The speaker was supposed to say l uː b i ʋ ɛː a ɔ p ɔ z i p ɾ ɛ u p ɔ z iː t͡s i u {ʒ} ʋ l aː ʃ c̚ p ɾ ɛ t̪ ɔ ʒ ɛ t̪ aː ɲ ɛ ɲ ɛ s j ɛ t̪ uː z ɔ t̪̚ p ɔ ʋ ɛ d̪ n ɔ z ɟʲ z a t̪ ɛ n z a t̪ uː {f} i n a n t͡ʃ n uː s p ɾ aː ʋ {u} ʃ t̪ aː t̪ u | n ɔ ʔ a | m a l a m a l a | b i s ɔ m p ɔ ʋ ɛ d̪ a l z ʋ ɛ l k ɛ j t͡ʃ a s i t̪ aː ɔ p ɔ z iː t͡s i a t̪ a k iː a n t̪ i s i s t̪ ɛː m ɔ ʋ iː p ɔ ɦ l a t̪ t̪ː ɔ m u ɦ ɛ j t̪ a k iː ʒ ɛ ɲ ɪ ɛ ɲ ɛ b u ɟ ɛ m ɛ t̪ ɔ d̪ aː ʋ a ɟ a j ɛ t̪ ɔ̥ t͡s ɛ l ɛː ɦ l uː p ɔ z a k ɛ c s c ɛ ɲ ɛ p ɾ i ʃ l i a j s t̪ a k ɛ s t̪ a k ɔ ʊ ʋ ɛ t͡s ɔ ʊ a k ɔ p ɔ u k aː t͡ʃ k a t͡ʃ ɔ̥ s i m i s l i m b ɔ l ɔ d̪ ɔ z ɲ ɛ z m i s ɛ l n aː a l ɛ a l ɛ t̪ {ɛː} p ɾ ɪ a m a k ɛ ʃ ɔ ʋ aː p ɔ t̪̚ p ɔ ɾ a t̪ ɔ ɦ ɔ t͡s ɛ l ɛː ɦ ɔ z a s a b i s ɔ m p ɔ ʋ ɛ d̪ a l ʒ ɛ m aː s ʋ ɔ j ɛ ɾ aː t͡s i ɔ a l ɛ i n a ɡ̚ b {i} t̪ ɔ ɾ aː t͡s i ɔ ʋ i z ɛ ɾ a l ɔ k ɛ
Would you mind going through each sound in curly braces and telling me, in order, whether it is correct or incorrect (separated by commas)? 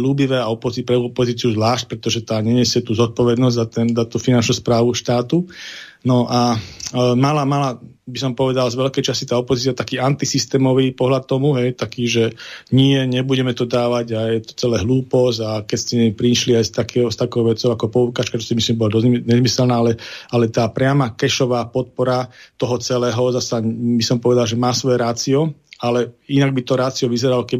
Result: incorrect, correct, correct, incorrect, correct